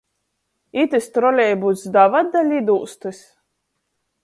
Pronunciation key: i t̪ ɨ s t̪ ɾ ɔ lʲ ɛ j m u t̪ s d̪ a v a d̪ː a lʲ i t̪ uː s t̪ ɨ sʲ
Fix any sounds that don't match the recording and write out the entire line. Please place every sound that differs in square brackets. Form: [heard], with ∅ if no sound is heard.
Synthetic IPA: i t̪ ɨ s t̪ ɾ ɔ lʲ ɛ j [b] u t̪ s d̪ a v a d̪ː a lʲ i [d̪] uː s t̪ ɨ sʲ